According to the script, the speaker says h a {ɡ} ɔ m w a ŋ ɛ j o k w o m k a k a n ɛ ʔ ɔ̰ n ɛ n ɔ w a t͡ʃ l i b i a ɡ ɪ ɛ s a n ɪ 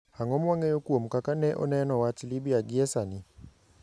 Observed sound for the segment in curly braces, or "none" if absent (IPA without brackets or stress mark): ŋ